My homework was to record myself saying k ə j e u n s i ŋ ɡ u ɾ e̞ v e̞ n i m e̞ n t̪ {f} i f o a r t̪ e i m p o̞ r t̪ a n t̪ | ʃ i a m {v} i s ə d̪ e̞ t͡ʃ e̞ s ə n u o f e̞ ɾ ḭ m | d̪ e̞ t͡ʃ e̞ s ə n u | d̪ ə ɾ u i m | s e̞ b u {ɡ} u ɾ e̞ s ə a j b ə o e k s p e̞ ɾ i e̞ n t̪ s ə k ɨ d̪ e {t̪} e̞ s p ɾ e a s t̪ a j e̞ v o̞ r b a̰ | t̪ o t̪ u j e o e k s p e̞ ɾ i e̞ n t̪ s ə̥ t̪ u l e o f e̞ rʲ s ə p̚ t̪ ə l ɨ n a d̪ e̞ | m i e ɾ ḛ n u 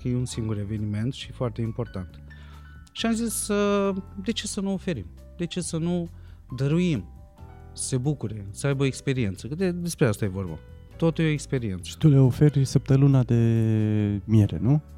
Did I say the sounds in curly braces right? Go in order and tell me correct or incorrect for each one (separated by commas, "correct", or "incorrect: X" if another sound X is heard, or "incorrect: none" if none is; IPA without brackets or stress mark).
incorrect: ʃ, incorrect: z, incorrect: k, incorrect: d̪